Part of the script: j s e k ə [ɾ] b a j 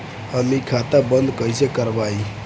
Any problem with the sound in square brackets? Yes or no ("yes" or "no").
no